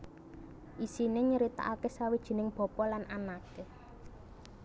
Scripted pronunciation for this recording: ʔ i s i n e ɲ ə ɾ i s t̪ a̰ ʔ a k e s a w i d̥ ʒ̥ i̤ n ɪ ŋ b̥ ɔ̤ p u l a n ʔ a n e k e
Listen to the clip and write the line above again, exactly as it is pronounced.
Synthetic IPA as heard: ʔ i s i n e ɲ ə ɾ i t̪ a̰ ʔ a k e s a w i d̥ ʒ̥ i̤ n ɪ ŋ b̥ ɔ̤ p ɔ l a n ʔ a n a k e